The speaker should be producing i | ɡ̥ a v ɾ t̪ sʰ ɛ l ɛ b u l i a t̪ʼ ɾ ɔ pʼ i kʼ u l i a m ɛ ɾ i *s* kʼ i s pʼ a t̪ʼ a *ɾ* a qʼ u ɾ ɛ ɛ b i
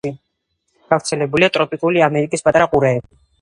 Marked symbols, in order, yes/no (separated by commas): no, yes